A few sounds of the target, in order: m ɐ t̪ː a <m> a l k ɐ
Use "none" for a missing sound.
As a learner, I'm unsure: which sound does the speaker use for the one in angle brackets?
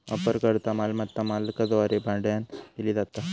m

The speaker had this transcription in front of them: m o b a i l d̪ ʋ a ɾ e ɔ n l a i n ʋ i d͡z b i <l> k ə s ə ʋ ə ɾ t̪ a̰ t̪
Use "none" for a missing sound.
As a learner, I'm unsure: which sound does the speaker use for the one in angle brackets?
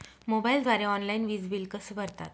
l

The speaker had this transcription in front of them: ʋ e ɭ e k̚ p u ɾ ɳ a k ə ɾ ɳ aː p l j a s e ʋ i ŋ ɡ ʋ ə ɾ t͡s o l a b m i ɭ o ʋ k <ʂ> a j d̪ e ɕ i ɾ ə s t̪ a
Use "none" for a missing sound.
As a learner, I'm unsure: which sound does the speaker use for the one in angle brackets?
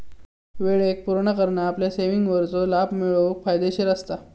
f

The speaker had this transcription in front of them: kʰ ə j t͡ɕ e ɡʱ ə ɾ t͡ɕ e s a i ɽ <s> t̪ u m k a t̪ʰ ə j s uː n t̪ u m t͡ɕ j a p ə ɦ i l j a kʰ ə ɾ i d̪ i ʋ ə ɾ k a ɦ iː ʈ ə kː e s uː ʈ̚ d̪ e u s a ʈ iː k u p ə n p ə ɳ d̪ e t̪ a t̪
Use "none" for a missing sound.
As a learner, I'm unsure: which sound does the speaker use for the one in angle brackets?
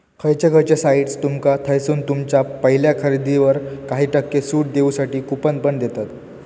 s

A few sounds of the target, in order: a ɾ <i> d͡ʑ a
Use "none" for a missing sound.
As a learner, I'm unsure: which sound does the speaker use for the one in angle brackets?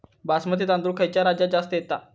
a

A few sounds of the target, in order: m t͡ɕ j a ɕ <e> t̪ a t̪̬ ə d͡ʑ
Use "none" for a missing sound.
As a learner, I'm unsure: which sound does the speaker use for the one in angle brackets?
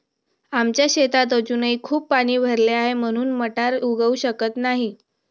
e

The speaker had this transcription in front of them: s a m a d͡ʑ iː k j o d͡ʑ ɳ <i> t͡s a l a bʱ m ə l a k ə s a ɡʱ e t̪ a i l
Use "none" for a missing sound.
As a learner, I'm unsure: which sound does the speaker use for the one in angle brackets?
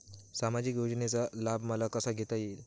e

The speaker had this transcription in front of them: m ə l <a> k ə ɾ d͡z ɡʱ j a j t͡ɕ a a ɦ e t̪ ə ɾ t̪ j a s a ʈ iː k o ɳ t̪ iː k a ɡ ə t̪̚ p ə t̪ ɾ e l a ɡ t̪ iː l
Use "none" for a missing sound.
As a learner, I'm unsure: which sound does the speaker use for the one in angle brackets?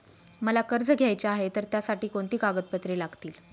a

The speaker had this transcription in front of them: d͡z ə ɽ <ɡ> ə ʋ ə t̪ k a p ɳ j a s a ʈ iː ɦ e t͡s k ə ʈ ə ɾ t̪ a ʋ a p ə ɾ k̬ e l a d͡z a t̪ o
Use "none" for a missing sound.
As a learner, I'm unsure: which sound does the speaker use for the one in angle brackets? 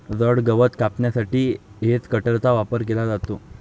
ɡ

